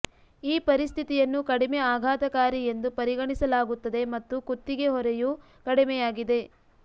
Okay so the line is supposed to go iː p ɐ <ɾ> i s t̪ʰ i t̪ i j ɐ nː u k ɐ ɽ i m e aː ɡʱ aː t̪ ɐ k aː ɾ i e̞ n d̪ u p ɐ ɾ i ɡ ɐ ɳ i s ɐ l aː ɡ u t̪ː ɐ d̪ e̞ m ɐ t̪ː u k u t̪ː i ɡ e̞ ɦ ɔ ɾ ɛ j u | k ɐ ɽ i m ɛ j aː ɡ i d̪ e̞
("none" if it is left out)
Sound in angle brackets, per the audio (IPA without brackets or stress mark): ɾ